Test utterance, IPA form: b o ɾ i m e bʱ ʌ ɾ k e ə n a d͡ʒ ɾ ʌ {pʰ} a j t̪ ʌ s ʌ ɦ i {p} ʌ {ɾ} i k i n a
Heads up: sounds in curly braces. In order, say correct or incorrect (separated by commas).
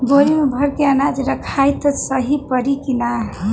incorrect, correct, correct